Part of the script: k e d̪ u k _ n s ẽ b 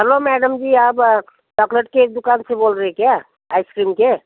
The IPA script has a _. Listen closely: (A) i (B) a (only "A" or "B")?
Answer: B